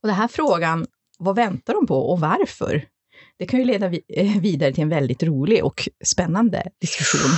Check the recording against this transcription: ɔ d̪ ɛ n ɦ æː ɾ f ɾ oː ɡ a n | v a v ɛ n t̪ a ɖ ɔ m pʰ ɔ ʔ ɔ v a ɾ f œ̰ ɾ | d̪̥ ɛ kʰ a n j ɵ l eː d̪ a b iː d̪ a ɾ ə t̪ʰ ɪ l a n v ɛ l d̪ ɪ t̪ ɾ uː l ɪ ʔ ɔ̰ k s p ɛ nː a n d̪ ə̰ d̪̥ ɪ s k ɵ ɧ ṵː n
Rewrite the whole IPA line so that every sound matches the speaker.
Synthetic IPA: ɔ d̪ ɛ n ɦ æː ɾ f ɾ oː ɡ a n | v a v ɛ n t̪ a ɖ ɔ m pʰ ɔ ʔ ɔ v a ɾ f œ̰ ɾ | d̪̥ ɛ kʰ a n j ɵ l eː d̪ a v iː d̪ a ɾ ə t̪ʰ ɪ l ɛ n v ɛ l d̪ ɪ t̪ ɾ uː l ɪ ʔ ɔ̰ k s p ɛ nː a n d̪ ə̰ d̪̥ ɪ s k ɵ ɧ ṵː n